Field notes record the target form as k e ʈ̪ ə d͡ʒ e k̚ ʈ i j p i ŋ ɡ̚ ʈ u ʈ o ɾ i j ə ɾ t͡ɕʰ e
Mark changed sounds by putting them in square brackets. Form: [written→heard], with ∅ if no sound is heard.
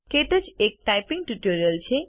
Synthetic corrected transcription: k e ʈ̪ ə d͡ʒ e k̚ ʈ [i→a] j p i ŋ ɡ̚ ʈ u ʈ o ɾ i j ə [ɾ→l] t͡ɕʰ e